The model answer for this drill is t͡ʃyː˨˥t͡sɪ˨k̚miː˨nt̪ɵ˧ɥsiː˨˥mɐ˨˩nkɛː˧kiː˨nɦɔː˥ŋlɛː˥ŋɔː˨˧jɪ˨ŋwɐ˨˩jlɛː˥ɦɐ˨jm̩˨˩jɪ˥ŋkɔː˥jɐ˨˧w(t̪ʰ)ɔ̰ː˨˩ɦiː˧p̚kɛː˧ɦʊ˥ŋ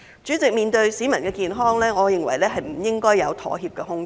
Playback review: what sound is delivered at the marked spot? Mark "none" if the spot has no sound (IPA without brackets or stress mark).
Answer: t̪ʰ